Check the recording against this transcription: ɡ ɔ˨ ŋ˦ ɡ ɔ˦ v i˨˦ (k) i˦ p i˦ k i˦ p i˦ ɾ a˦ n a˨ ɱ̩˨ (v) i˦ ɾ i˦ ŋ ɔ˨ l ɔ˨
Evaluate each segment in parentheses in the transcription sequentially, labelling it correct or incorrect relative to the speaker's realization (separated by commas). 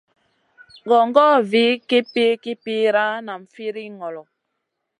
correct, incorrect